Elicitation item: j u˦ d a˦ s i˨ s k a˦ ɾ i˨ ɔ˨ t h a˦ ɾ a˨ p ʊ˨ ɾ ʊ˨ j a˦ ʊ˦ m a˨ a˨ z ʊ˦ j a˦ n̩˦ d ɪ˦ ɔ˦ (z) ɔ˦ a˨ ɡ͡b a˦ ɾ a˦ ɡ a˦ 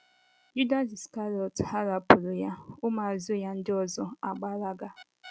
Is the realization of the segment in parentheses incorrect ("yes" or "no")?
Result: no